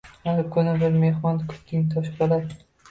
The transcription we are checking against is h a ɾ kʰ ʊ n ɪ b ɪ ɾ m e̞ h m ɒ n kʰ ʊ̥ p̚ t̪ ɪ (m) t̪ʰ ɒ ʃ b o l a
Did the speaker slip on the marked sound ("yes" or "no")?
yes